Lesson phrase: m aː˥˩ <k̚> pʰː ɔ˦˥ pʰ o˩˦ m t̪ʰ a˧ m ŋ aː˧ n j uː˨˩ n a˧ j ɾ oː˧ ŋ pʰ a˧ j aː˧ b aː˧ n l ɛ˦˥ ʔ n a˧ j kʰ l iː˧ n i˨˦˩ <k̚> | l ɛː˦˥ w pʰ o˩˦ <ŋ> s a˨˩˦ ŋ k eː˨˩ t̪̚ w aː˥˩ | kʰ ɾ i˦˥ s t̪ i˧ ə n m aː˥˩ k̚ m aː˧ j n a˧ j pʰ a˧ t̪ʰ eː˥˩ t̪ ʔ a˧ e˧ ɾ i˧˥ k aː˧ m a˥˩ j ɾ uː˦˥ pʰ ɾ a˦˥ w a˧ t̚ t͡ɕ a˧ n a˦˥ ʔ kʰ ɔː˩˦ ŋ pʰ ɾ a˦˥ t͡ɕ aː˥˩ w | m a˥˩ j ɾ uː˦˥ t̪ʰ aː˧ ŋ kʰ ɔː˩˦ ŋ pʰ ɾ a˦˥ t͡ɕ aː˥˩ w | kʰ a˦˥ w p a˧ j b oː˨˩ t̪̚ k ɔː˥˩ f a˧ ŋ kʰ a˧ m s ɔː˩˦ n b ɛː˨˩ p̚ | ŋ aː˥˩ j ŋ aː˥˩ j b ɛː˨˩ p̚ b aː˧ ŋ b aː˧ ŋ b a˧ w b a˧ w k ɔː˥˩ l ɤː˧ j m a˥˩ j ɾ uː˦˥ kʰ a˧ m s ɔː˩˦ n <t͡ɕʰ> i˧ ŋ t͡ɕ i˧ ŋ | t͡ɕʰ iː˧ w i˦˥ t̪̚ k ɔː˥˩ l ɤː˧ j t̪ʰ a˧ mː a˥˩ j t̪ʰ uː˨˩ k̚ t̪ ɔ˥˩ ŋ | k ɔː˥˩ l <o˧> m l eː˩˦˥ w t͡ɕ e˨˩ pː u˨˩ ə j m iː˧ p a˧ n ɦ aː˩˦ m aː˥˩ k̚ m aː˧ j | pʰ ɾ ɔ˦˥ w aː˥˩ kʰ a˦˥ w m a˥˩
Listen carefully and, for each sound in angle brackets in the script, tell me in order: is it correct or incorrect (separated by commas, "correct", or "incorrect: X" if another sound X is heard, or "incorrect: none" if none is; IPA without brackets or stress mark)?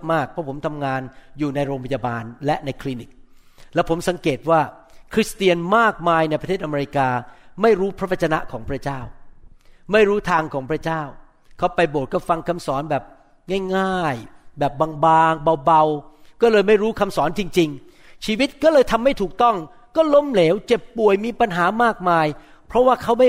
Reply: correct, correct, incorrect: m, incorrect: t͡ɕ, incorrect: o˦˥